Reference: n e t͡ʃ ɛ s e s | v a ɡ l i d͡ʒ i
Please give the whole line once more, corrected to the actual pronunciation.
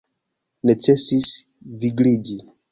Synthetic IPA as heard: n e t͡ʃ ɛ s i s | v i ɡ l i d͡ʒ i